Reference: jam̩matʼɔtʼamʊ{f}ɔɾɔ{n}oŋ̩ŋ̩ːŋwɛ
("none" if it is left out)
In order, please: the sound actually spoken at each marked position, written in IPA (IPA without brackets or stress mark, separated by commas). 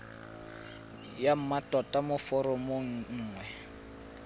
f, m